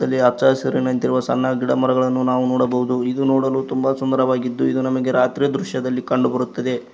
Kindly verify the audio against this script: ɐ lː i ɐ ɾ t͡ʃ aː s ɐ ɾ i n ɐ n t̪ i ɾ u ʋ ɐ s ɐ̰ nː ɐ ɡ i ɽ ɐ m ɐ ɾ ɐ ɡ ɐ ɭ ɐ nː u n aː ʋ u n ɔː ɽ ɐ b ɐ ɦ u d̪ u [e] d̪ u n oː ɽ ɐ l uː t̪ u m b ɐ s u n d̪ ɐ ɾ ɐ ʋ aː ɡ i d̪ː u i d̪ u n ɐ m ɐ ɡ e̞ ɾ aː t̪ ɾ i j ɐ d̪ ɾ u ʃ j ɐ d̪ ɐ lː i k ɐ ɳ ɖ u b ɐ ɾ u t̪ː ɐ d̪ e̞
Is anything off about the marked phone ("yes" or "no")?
yes